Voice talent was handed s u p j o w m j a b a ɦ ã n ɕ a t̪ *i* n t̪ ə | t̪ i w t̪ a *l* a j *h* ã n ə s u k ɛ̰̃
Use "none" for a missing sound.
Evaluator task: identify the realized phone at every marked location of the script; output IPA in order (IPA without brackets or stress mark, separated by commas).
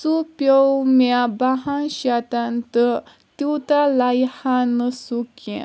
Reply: a, l, h